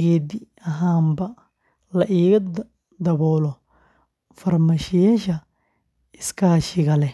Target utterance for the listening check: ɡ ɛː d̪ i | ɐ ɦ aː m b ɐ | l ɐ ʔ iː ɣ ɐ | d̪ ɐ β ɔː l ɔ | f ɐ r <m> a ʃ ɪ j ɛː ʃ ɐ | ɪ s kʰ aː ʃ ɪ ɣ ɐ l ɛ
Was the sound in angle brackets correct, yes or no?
yes